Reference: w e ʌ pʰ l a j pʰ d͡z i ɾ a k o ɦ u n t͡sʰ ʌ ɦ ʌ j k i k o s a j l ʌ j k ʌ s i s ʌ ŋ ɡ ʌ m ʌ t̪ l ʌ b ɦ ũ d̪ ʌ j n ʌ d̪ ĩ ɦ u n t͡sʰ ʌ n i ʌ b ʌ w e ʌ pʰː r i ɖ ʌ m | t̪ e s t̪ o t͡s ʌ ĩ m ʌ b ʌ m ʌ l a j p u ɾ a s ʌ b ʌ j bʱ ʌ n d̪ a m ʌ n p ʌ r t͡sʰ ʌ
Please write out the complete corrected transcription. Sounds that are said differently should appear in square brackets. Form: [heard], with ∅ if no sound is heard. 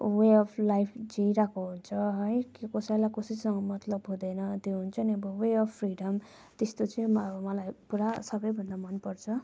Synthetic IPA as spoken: w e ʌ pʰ l a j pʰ d͡z i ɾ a k o ɦ u n t͡sʰ ʌ ɦ ʌ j k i k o s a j l [a] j k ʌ s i s ʌ ŋ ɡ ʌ m ʌ t̪ l ʌ b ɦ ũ d̪ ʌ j n ʌ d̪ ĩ ɦ u n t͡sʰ ʌ n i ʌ b ʌ w e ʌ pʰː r i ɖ ʌ m | t̪ e s t̪ o t͡s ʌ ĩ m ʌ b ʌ m ʌ l a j p u ɾ a s ʌ b ʌ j bʱ ʌ n d̪ a m ʌ n p ʌ r t͡sʰ ʌ